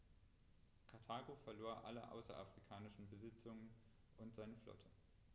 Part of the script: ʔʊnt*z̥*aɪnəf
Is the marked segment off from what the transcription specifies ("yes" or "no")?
no